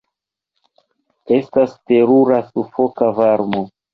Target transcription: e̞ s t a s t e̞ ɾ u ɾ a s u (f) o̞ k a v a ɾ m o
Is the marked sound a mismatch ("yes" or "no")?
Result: no